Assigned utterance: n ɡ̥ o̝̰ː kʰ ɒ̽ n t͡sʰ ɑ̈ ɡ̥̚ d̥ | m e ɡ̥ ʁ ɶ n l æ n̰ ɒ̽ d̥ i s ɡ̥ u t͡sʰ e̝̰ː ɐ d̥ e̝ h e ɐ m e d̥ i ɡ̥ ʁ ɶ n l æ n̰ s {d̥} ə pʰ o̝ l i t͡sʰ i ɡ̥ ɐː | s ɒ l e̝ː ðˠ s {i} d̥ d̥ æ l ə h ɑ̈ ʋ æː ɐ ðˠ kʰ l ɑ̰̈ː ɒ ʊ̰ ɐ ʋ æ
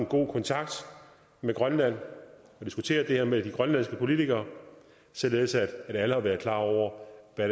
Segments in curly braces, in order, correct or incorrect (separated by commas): incorrect, incorrect